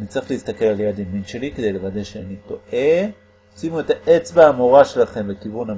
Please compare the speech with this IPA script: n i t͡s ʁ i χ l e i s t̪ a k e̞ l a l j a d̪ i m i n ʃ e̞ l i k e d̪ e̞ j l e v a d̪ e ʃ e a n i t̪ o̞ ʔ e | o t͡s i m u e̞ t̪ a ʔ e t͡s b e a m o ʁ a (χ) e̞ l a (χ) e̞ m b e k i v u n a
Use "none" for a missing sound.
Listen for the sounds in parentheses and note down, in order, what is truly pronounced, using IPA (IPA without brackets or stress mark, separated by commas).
ʃ, χ